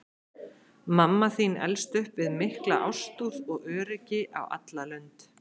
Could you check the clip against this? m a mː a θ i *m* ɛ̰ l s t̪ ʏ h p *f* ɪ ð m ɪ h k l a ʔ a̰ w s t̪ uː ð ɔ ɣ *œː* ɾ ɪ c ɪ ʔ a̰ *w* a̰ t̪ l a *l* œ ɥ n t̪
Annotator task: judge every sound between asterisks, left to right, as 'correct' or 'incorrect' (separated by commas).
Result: incorrect, incorrect, correct, correct, correct